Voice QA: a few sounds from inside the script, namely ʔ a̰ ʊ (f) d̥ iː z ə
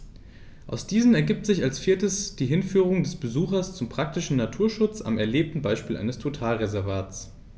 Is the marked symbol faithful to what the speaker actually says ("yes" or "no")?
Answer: no